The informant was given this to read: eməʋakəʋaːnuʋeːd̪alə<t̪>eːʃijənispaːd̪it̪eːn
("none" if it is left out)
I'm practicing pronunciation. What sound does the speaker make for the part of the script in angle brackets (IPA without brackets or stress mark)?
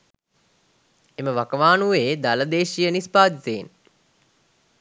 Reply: d̪